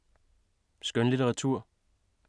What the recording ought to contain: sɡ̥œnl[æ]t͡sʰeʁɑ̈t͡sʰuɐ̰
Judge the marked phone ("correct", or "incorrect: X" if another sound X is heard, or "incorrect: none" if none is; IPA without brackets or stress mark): incorrect: i